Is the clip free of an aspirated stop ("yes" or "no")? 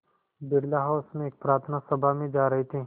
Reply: no